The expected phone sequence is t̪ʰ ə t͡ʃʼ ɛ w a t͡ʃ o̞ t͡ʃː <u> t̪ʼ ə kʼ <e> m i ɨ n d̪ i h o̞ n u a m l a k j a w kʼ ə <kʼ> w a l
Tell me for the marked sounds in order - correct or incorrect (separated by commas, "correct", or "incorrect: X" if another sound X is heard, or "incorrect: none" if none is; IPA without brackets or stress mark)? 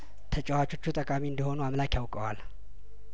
correct, incorrect: a, incorrect: none